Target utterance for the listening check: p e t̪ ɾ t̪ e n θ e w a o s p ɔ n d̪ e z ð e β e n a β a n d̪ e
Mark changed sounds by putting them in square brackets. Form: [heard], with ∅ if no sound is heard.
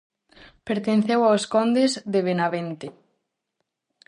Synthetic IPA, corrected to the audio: p e [∅] ɾ t̪ e n θ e w a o s [k] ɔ n d̪ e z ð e β e n a β [e] n [t̪] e